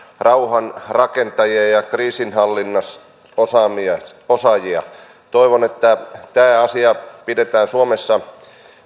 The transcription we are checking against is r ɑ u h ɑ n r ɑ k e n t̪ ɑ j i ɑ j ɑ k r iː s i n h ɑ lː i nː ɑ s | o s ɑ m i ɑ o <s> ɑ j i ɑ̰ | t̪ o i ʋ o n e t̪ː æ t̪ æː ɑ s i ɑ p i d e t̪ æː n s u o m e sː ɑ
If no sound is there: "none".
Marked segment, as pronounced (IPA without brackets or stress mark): s